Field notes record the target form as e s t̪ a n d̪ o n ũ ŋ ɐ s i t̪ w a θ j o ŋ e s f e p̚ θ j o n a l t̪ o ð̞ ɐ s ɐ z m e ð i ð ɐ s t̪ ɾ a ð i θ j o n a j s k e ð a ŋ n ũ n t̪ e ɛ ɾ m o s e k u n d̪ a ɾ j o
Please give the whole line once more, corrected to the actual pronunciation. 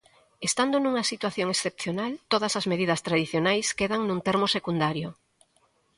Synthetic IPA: e s t̪ a n d̪ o n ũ ŋ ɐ s i t̪ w a θ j o ŋ e s θ e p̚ θ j o n a l t̪ o ð̞ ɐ s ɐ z m e ð i ð ɐ s t̪ ɾ a ð i θ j o n a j s k e ð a ŋ n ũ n t̪ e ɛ ɾ m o s e k u n d̪ a ɾ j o